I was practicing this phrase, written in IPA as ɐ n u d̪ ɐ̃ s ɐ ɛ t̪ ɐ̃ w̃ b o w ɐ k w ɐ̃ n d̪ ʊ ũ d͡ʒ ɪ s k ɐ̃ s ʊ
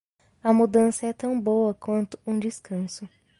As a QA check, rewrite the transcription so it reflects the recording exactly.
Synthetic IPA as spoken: ɐ m u d̪ ɐ̃ s ɐ ɛ t̪ ɐ̃ w̃ b o w ɐ k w ɐ̃ n t̪ ʊ ũ d͡ʒ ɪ s k ɐ̃ s ʊ